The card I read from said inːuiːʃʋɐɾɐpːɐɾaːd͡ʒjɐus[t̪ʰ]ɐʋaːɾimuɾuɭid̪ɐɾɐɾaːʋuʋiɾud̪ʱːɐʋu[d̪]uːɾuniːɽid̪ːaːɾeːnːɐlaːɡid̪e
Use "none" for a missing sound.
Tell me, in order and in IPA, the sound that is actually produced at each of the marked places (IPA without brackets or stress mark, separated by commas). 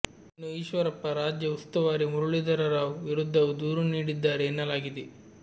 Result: t̪, d̪